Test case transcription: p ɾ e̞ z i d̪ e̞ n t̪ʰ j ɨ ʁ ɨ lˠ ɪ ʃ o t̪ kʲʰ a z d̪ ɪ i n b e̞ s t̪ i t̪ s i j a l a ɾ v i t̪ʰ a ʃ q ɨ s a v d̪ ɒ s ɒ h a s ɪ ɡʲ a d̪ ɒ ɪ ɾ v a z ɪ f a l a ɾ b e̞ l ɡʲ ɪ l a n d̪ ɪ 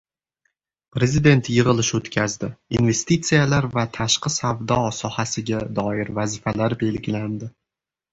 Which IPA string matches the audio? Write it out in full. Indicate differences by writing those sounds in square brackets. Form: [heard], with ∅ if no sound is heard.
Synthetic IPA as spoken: p ɾ e̞ z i d̪ e̞ n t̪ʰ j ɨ ʁ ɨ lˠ ɪ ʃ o t̪ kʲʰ a z d̪ ɪ i n [v] e̞ s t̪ i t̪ s i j a l a ɾ v [a] t̪ʰ a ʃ q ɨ s a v d̪ ɒ s ɒ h a s ɪ ɡʲ a d̪ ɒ ɪ ɾ v a z ɪ f a l a ɾ b e̞ l ɡʲ ɪ l a n d̪ ɪ